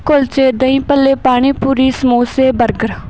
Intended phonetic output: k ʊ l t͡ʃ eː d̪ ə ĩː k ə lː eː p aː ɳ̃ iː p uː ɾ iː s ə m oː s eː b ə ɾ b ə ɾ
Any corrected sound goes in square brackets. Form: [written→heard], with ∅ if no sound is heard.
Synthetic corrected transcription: k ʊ l t͡ʃ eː d̪ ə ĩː [k→p] ə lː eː p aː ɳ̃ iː p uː ɾ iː s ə m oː s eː b ə ɾ [b→ɡ] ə ɾ